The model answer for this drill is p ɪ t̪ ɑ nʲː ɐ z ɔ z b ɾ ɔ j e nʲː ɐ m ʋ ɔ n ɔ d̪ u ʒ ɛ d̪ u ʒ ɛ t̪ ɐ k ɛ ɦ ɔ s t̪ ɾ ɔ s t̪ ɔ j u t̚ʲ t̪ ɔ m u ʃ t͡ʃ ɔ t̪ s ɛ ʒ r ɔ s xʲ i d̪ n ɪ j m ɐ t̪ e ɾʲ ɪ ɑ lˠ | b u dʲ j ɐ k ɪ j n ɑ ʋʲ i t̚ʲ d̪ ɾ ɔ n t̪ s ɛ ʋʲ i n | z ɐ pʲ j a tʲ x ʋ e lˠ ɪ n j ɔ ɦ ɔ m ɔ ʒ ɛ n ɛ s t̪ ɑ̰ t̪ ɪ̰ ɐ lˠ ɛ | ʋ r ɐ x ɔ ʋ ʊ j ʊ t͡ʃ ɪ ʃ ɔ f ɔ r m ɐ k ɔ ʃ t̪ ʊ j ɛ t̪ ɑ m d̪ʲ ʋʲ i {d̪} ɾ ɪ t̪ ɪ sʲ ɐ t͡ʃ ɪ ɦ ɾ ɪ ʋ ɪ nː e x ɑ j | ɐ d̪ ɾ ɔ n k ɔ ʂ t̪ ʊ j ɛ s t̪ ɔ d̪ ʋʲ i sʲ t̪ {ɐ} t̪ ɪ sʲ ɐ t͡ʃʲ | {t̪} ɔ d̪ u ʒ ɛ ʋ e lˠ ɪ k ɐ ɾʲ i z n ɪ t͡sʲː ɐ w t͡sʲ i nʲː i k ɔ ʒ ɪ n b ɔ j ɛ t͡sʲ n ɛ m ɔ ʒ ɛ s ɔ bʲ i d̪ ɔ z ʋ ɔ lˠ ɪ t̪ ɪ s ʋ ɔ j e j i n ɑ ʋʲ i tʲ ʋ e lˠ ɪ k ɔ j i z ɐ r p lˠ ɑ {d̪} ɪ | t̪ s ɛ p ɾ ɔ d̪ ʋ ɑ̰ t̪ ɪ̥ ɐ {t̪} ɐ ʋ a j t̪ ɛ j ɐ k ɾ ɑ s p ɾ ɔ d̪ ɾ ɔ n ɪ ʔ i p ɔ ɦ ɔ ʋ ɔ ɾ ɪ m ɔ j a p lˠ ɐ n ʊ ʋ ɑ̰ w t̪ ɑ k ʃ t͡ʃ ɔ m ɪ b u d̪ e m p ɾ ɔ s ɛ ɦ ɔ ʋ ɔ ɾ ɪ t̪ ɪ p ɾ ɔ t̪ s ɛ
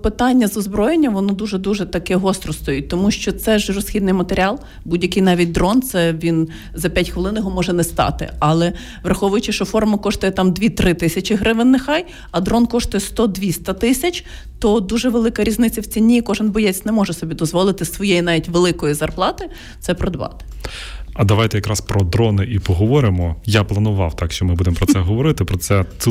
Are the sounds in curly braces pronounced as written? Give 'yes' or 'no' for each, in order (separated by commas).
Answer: no, yes, yes, no, no